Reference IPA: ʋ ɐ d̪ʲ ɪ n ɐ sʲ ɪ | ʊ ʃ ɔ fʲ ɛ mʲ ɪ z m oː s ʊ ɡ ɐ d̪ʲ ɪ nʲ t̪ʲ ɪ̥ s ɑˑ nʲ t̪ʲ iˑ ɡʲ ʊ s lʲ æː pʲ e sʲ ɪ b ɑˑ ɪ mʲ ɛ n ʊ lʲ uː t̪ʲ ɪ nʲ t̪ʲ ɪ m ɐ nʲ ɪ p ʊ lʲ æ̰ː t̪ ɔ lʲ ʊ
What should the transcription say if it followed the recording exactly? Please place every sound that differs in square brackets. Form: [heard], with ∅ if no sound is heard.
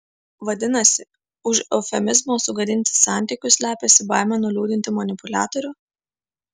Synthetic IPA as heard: ʋ ɐ d̪ʲ ɪ n ɐ sʲ ɪ | ʊ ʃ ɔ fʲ ɛ mʲ ɪ z m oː s ʊ ɡ ɐ d̪ʲ ɪ nʲ t̪ʲ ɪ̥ s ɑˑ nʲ t̪ʲ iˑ [kʲ] ʊ s lʲ æː pʲ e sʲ ɪ b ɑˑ ɪ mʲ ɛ n ʊ lʲ uː [d̪ʲ] ɪ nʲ t̪ʲ ɪ m ɐ nʲ ɪ p ʊ lʲ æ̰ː t̪ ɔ [ɾʲ] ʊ